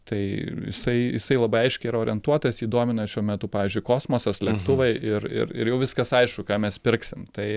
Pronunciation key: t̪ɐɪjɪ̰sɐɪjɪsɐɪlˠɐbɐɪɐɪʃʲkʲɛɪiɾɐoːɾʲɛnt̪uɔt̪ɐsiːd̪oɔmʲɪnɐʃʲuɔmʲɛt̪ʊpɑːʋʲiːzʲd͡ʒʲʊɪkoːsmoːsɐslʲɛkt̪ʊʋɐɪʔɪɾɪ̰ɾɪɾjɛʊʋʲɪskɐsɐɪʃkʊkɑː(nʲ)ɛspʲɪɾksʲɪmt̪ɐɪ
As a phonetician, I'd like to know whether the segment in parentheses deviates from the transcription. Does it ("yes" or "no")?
yes